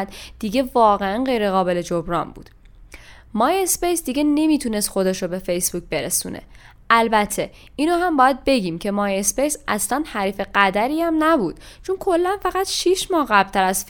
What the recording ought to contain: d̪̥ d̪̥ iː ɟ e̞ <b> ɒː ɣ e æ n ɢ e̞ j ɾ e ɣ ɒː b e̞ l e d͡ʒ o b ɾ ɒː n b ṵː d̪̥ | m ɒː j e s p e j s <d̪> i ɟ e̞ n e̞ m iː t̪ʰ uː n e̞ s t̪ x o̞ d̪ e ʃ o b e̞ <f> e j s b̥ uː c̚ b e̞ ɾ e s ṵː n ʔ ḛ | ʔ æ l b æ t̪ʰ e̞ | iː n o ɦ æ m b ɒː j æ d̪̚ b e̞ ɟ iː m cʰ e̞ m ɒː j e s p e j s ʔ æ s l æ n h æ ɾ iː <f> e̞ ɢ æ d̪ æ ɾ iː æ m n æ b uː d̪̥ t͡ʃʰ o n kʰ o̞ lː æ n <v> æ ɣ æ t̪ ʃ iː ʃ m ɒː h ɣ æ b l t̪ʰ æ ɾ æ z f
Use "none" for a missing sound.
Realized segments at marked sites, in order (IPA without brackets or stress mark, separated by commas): v, d̪, f, f, f